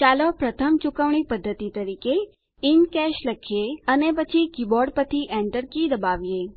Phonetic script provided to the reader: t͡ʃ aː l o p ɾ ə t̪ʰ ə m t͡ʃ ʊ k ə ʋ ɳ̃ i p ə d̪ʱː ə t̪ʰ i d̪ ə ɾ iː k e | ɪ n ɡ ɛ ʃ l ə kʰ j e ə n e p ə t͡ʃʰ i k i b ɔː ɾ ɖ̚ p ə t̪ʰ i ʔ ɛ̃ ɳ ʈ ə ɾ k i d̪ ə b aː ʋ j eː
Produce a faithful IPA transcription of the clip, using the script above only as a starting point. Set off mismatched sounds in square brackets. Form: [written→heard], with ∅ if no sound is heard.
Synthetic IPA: t͡ʃ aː l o p ɾ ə t̪ʰ ə m t͡ʃ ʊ k ə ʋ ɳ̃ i p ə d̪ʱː ə [t̪ʰ→t̪] i [d̪→t̪] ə ɾ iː k e | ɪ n [ɡ→k] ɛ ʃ l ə kʰ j e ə n e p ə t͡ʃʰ i k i b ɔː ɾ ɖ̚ p ə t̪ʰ i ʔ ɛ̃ ɳ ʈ ə ɾ k i d̪ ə b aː ʋ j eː